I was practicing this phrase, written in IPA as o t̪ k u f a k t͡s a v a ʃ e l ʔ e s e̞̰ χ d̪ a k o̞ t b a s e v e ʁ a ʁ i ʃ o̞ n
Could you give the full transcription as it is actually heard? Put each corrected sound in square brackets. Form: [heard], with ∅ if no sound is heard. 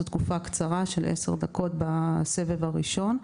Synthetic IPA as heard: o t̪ k u f a k t͡s a [ʁ] a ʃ e l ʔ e s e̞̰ [ʁ] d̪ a k o̞ t b a s e v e [v] a ʁ i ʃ o̞ n